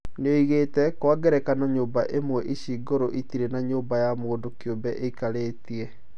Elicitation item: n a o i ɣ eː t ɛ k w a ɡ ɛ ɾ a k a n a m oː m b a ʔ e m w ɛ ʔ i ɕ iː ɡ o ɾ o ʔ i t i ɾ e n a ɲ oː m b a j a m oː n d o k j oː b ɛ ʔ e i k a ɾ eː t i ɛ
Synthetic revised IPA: n e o i ɣ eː t ɛ k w a ɡ ɛ ɾ ɛ k a n a ɲ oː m b a ʔ e m w ɛ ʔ i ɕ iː ɡ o ɾ o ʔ i t i ɾ e n a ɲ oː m b a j a m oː n d o k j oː b ɛ ʔ e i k a ɾ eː t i ɛ